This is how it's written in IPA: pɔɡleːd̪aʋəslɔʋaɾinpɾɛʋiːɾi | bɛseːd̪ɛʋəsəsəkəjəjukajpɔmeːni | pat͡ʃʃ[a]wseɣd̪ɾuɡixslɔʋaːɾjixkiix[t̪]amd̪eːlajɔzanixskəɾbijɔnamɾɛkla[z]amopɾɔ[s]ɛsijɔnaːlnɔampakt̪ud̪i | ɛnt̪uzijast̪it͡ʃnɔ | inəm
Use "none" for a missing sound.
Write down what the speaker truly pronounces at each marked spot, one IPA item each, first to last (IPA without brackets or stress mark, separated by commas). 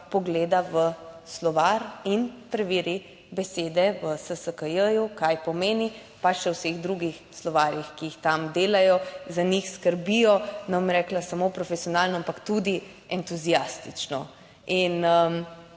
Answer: ɛ, t̪, s, f